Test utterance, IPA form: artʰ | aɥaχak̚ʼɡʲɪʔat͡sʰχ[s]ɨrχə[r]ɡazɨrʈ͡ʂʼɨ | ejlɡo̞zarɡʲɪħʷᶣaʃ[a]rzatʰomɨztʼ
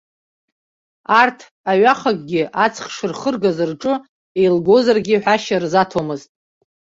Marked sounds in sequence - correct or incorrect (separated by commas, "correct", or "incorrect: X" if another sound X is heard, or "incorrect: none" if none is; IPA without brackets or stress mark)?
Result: incorrect: ʂ, correct, correct